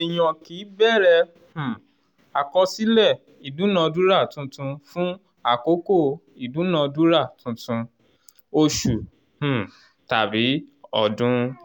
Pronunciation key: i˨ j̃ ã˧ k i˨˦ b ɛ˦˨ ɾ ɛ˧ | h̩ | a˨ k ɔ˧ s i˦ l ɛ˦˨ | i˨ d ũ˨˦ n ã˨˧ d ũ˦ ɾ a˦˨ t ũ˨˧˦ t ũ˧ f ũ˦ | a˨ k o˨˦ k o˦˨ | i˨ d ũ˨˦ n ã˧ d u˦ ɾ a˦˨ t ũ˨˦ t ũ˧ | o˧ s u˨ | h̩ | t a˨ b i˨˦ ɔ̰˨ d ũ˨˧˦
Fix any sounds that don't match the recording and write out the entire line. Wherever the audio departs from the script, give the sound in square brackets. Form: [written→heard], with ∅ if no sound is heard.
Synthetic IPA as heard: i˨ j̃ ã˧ k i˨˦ b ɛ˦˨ ɾ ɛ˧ | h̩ | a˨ k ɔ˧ s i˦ l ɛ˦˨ | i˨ d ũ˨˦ n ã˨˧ d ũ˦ ɾ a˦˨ t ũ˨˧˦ t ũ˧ f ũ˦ | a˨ k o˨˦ k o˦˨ | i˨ d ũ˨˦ n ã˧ d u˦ ɾ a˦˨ t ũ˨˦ t ũ˧ | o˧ [s→ʃ] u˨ | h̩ | t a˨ b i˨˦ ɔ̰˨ d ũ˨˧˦